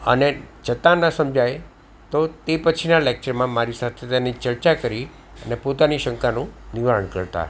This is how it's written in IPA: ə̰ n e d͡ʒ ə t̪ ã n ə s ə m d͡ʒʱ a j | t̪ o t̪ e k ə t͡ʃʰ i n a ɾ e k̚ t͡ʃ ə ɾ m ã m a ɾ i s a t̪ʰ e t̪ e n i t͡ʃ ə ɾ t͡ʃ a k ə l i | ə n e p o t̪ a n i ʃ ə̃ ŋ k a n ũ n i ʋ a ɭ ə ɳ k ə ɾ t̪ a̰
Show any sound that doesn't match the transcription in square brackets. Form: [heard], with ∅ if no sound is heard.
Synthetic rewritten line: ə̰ n e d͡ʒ ə t̪ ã n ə s ə m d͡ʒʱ a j | t̪ o t̪ e [p] ə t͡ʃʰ i n a [l] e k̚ t͡ʃ ə ɾ m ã m a ɾ i s a t̪ʰ e t̪ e n i t͡ʃ ə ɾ t͡ʃ a k ə [ɾ] i | ə n e p o t̪ a n i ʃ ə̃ ŋ k a n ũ n i ʋ a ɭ ə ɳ k ə ɾ t̪ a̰